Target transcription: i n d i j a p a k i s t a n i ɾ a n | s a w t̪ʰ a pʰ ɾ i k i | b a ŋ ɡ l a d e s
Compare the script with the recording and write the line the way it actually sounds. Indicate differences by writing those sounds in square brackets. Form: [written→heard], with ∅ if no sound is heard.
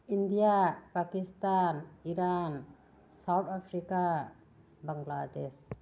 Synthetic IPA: i n d i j a p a k i s t a n i ɾ a n | s a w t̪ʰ a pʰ ɾ i k [i→a] | b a ŋ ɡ l a d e s